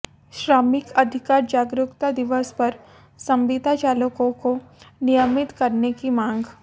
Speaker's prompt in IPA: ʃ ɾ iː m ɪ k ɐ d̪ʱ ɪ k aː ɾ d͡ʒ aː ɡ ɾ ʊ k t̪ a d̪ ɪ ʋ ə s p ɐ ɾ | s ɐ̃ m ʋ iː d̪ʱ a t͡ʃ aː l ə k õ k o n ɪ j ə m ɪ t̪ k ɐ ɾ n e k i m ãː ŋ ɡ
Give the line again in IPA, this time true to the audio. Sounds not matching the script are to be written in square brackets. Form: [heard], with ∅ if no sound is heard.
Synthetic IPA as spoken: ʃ ɾ [aː] m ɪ k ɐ d̪ʱ ɪ k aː ɾ d͡ʒ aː ɡ ɾ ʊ k t̪ a d̪ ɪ ʋ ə s p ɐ ɾ | s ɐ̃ m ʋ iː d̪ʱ a t͡ʃ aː l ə k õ k o n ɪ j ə m ɪ t̪ k ɐ ɾ n e k i m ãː ŋ ɡ